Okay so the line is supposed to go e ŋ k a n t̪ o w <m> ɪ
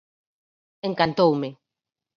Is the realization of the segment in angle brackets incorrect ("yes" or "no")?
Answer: no